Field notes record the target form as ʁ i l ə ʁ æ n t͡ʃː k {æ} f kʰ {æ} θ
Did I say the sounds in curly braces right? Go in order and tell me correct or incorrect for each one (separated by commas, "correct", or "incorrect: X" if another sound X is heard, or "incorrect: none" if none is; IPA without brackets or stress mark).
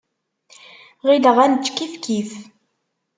incorrect: i, incorrect: i